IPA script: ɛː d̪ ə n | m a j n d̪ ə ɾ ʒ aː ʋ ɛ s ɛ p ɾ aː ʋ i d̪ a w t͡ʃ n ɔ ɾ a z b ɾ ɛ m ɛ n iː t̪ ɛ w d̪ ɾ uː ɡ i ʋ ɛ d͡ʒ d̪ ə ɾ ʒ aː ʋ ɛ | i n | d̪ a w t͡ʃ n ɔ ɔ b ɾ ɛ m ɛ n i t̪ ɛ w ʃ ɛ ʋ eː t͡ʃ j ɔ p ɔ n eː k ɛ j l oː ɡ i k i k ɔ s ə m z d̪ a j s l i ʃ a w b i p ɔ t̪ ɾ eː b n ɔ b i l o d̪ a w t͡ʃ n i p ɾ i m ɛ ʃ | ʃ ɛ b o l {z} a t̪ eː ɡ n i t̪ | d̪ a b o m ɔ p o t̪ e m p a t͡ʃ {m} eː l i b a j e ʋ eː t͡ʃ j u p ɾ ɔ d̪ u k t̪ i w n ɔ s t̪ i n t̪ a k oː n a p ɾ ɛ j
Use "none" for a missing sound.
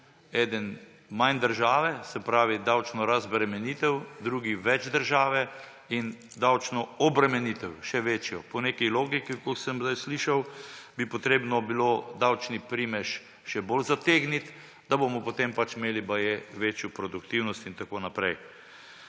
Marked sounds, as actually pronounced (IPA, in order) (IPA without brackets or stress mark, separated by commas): z, m